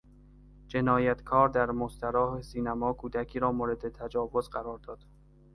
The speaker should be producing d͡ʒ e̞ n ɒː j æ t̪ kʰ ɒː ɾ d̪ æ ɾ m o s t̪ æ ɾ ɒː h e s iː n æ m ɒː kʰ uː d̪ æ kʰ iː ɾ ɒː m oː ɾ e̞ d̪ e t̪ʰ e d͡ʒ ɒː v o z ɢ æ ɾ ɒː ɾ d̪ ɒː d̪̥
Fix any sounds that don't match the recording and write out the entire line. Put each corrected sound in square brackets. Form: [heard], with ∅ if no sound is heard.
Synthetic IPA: d͡ʒ e̞ n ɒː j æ t̪ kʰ ɒː ɾ d̪ æ ɾ m o s t̪ æ ɾ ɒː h e s iː n æ m ɒː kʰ uː d̪ æ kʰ iː ɾ ɒː m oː ɾ e̞ d̪ e t̪ʰ [æ] d͡ʒ ɒː v o z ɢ æ ɾ ɒː ɾ d̪ ɒː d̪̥